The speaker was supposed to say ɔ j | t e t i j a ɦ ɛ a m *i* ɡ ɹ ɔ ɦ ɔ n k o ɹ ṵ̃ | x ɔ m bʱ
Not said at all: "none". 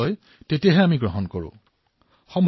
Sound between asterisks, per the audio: i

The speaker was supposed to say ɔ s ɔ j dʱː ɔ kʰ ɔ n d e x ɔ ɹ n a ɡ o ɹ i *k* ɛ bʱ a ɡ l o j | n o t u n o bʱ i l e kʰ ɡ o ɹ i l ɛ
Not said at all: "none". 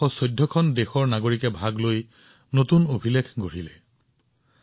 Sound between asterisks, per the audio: k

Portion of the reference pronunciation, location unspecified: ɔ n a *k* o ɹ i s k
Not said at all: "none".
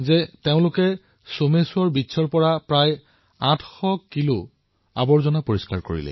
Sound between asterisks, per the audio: p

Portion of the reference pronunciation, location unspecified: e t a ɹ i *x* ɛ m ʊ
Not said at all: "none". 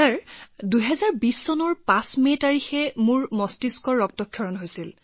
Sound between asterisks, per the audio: x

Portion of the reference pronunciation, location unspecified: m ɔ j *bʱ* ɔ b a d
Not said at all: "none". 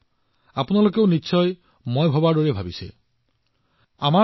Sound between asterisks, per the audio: bʱ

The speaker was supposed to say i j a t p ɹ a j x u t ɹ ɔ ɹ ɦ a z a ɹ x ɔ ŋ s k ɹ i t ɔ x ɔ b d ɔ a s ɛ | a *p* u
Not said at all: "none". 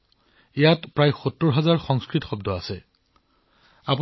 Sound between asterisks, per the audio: p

